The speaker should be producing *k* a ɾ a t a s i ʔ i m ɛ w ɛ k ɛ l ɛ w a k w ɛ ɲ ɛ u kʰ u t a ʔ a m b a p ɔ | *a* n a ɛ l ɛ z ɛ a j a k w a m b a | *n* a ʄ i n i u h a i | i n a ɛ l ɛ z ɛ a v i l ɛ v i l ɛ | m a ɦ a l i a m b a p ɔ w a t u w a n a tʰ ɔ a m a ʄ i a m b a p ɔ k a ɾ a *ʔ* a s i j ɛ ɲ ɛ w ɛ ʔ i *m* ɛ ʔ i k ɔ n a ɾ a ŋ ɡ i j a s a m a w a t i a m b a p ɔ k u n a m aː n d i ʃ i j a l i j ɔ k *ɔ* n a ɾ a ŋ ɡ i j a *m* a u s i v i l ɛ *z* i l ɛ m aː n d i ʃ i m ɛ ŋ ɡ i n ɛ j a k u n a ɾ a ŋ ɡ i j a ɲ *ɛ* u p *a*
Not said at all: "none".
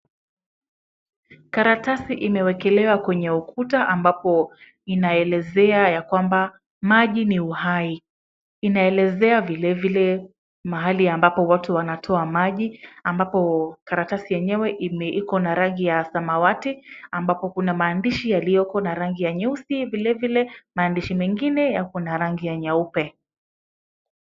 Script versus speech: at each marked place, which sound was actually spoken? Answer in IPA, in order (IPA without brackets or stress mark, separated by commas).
k, i, m, t, m, ɔ, ɲ, v, a, ɛ